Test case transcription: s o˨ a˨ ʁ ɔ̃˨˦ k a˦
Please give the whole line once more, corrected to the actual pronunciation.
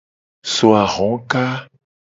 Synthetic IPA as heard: s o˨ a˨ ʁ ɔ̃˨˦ k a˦